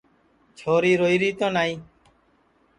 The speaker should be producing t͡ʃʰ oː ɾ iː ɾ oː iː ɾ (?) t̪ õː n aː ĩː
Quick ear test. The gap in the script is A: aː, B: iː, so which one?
B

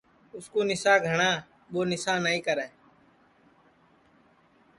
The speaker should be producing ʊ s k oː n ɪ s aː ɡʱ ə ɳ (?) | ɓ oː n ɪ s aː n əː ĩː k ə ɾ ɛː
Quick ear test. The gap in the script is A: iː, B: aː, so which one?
B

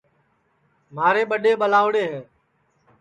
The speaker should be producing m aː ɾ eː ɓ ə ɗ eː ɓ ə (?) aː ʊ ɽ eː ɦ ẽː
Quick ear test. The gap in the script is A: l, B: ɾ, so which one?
A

